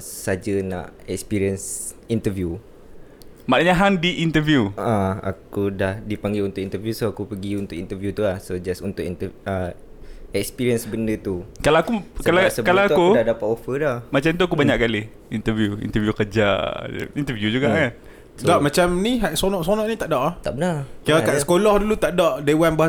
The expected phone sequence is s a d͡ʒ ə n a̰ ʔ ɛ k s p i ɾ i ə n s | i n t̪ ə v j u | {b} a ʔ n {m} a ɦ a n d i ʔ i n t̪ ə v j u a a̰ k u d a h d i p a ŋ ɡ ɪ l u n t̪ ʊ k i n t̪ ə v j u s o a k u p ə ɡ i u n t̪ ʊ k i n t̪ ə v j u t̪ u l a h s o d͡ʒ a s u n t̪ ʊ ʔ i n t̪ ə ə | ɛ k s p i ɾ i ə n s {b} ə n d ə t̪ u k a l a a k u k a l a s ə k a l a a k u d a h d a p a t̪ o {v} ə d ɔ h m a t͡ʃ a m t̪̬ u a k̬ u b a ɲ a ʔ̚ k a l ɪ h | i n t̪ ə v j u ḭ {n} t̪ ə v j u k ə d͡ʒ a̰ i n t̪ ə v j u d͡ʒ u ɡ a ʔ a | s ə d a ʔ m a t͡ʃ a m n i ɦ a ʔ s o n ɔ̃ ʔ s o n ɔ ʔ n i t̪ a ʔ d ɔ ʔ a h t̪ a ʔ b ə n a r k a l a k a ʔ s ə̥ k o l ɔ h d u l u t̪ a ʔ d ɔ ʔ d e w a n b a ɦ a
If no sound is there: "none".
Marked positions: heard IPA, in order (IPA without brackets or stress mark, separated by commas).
m, ɲ, b, f, n